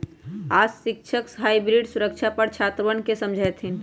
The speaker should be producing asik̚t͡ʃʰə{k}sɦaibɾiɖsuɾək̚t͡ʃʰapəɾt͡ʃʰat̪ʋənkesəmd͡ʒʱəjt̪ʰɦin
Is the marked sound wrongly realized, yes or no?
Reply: no